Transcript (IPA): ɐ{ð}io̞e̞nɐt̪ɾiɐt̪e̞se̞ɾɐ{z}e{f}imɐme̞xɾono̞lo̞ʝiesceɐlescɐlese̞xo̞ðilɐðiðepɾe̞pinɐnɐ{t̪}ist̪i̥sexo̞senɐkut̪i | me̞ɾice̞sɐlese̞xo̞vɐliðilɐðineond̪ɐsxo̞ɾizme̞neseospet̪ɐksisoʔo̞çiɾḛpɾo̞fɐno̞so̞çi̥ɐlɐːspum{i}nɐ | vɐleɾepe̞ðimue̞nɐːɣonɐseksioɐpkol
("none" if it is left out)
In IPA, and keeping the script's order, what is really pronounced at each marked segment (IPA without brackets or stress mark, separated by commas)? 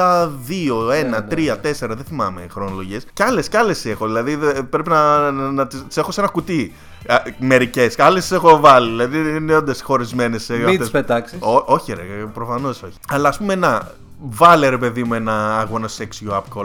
ð, ð, θ, t̪, e